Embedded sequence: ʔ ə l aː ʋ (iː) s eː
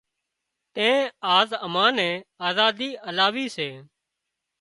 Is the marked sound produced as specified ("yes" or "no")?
yes